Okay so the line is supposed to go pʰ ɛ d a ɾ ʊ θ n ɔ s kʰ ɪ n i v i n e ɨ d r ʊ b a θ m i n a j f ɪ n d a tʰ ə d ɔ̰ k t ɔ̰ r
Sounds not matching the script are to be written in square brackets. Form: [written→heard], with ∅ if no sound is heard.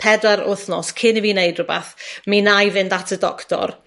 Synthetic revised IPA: pʰ ɛ d a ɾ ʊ θ n ɔ s kʰ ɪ n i v i n e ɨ d r ʊ b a θ m i n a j [f→v] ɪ n d a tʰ ə d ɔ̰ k t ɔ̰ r